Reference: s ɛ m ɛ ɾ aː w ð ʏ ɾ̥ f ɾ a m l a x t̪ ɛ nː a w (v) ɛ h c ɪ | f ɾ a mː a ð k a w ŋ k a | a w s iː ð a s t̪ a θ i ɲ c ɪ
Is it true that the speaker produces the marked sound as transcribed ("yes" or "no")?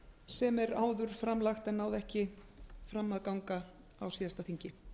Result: no